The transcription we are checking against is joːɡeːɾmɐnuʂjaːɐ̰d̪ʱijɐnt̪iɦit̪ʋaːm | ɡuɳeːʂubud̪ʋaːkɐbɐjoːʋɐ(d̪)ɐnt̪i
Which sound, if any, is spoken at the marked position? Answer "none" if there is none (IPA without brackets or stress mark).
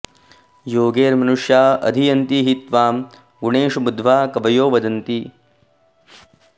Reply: d̪